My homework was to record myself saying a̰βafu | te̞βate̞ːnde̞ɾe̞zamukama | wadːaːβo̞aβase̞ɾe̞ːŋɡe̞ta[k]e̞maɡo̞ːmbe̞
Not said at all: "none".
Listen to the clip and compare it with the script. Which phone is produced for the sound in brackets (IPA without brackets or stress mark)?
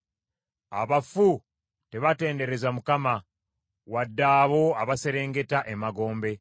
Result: ʔ